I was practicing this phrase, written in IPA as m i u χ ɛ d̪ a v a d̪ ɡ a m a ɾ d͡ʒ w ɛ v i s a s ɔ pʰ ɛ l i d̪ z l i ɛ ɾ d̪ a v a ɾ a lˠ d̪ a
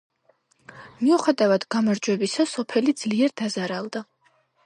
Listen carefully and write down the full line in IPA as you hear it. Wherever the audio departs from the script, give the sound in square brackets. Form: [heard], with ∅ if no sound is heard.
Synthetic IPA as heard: m i u χ ɛ d̪ a v a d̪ ɡ a m a ɾ d͡ʒ w ɛ [b] i s a s ɔ pʰ ɛ l i d̪ z l i ɛ ɾ d̪ a [z] a ɾ a lˠ d̪ a